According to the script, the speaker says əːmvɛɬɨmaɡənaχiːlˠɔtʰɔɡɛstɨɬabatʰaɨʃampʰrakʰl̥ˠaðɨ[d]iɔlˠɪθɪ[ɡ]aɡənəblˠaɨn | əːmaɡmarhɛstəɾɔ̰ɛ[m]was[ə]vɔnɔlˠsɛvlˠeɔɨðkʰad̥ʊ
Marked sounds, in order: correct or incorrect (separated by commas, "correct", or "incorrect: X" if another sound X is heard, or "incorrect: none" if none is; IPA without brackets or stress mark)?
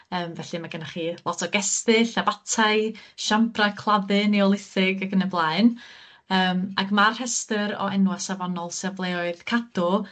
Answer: incorrect: n, correct, incorrect: n, incorrect: a